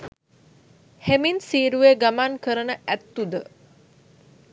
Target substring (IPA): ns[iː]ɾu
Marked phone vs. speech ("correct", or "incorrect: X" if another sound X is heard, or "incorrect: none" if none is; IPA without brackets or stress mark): correct